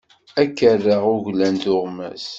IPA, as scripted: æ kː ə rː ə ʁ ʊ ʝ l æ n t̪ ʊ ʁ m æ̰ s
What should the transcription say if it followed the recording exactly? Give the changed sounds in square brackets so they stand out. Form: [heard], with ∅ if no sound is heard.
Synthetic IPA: æ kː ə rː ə ʁ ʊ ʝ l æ n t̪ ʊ ʁ m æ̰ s